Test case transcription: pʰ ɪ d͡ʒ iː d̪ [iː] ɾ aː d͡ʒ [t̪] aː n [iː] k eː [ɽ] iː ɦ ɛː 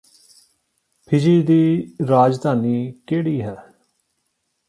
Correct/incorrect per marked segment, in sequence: correct, incorrect: d̪, correct, correct

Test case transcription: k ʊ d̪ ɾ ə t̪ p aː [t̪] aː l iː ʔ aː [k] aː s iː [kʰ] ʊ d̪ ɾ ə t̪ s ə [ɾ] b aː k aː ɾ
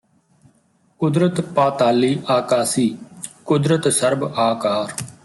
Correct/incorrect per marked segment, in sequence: correct, correct, incorrect: k, correct

